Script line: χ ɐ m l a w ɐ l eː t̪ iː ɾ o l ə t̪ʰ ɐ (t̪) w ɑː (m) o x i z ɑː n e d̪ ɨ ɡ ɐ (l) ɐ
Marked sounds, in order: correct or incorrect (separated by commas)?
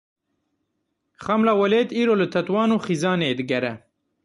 correct, incorrect, incorrect